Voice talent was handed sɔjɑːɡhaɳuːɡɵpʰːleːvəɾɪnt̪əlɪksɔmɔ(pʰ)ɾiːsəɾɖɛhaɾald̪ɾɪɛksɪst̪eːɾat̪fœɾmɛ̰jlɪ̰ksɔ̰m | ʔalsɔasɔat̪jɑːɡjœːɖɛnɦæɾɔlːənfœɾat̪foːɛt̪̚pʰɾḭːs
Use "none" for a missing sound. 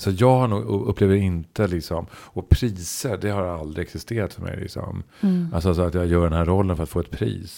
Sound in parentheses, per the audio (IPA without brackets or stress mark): pʰ